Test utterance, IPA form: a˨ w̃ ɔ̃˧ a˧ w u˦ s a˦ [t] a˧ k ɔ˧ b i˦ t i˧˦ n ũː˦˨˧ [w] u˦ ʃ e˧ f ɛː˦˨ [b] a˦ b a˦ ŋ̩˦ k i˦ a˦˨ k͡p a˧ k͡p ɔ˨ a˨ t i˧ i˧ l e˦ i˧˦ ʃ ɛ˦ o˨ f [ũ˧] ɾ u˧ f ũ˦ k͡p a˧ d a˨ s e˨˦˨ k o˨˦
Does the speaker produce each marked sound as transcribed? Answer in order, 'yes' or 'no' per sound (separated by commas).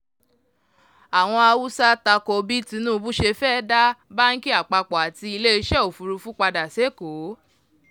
yes, no, no, no